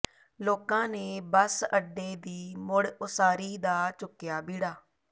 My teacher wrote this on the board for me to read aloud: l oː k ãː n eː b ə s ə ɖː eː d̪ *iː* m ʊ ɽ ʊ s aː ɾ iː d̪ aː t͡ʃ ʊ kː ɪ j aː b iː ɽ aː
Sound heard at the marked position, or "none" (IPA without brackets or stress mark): iː